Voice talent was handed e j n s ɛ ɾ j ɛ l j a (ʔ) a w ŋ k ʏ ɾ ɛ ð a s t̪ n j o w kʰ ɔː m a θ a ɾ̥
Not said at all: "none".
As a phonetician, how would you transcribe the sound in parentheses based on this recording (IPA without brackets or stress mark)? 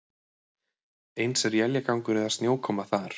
k